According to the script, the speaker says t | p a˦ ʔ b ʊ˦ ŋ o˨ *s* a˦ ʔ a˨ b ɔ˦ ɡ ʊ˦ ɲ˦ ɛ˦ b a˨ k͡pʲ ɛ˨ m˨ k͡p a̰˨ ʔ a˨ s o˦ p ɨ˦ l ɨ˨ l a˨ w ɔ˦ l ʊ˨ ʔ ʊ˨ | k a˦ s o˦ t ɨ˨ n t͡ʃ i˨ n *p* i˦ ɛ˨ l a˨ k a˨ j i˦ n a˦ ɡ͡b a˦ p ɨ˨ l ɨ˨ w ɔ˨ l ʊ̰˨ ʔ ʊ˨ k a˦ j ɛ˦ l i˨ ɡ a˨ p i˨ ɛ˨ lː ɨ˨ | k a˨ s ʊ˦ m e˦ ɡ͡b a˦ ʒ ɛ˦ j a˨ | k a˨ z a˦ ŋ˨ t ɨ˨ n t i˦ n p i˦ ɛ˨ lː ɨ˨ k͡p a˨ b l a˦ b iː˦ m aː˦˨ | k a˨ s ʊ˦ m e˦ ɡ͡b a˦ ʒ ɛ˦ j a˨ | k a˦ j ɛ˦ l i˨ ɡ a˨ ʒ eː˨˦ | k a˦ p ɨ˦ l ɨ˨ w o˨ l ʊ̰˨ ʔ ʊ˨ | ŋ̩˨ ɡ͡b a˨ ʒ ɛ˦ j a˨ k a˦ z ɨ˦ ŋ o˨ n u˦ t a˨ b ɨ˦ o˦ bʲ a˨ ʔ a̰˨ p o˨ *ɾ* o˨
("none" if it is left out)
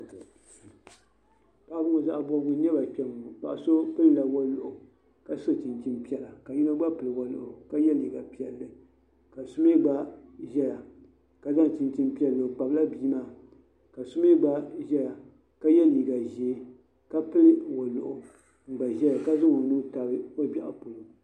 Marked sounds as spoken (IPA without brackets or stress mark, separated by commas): z, p, l